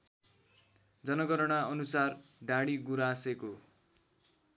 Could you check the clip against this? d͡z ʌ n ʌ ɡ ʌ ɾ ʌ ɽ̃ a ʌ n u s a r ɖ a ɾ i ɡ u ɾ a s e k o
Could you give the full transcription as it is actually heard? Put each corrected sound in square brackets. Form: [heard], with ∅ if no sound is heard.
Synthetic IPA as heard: d͡z ʌ n ʌ ɡ ʌ ɾ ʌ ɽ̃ a ʌ n u s a r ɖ a [ɽ] i ɡ u ɾ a s e k o

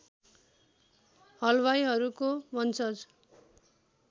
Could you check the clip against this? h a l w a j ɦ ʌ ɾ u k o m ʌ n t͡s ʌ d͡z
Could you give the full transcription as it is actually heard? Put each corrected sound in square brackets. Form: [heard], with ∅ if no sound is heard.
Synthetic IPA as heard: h [ʌ] l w a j ɦ ʌ ɾ u k o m ʌ n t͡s ʌ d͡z

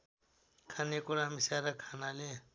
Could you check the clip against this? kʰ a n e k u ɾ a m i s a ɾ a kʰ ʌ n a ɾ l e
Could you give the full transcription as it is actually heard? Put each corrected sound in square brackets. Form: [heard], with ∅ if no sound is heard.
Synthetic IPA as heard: kʰ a n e k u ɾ a m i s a ɾ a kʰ [a] n a [∅] l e

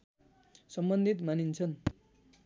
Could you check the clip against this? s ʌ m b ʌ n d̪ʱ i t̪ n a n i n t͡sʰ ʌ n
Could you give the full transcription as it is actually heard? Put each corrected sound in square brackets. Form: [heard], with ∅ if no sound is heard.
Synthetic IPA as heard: s ʌ m b ʌ n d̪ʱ i t̪ [m] a n i n t͡sʰ ʌ n

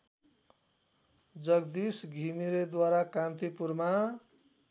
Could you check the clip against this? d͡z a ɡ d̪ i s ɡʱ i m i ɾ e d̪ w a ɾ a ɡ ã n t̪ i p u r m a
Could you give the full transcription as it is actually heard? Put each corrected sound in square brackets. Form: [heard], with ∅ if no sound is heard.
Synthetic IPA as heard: d͡z [ʌ] ɡ d̪ i s ɡʱ i m i ɾ e d̪ w a ɾ a [k] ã n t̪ i p u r m a

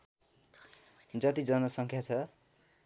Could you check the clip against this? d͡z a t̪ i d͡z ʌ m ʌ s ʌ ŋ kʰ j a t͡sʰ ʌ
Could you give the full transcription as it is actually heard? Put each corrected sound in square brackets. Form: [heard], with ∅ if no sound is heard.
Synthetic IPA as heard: d͡z [ʌ] t̪ i d͡z ʌ [n] ʌ s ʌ ŋ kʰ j a t͡sʰ ʌ

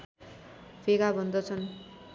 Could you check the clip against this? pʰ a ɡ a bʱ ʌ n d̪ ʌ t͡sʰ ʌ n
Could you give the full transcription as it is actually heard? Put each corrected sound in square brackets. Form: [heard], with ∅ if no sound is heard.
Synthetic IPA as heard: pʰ [e] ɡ a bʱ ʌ n d̪ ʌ t͡sʰ ʌ n

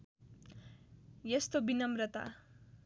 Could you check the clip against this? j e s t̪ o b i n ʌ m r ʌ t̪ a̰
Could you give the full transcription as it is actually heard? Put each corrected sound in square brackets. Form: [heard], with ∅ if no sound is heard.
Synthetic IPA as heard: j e s t̪ o b i n ʌ m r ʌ t̪ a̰

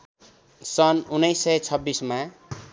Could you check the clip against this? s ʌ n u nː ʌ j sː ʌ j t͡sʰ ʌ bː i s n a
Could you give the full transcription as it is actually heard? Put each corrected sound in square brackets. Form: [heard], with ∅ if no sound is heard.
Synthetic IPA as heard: s ʌ n u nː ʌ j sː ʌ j t͡sʰ ʌ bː i s [m] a

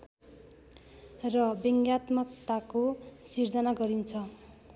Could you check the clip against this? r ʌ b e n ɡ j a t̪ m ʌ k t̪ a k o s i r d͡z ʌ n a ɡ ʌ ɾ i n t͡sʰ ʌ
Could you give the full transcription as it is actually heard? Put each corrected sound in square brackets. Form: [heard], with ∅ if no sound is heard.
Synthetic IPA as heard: r ʌ b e [ŋ] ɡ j a t̪ m ʌ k t̪ a k o s i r d͡z ʌ n a ɡ ʌ ɾ i n t͡sʰ ʌ

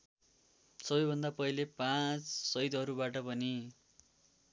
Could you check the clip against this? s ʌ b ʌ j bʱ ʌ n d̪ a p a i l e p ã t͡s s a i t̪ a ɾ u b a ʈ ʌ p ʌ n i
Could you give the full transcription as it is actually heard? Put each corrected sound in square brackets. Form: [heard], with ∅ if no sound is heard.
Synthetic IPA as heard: s ʌ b ʌ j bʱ ʌ n d̪ a p [ʌ] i l e p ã t͡s s [ʌ] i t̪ [ʌ] ɾ u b a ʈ ʌ p ʌ n i

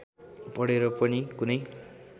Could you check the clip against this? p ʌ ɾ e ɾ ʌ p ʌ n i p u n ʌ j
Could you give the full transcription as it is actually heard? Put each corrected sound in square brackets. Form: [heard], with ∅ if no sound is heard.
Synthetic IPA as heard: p ʌ [ɽ] e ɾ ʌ p ʌ n i [k] u n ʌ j

